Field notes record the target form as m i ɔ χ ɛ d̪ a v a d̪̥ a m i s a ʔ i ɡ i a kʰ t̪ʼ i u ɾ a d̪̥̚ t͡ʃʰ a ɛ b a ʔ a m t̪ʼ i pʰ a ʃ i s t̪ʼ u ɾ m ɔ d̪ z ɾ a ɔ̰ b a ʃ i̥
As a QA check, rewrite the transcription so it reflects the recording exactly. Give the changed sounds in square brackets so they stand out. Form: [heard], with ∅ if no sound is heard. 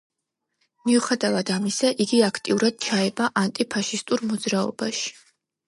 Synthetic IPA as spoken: m i [u] χ ɛ d̪ a v a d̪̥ a m i s a ʔ i ɡ i a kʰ t̪ʼ i u ɾ a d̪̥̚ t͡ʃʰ a ɛ b a ʔ a [n] t̪ʼ i pʰ a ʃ i s t̪ʼ u ɾ m ɔ d̪ z ɾ a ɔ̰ b a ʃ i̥